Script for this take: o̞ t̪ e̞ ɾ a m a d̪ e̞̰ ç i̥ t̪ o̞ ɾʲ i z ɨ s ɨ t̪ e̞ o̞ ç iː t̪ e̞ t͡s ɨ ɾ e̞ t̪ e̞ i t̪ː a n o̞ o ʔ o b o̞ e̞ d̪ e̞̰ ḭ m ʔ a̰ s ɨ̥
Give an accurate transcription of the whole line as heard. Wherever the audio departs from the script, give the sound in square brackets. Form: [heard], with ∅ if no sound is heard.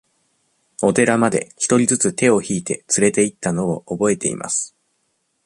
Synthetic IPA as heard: o̞ t̪ e̞ ɾ a m a d̪ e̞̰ ç i̥ t̪ o̞ ɾʲ i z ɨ [t͡s] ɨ t̪ e̞ o̞ ç iː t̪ e̞ t͡s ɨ ɾ e̞ t̪ e̞ i t̪ː a n o̞ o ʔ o b o̞ e̞ [t̪] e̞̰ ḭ m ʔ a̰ s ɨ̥

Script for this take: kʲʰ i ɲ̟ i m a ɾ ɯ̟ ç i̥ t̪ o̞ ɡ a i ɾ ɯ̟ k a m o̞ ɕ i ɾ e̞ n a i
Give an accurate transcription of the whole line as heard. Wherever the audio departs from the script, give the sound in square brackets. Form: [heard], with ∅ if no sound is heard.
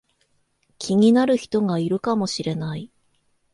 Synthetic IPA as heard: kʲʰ i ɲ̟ i [n] a ɾ ɯ̟ ç i̥ t̪ o̞ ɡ a i ɾ ɯ̟ k a m o̞ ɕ i ɾ e̞ n a i

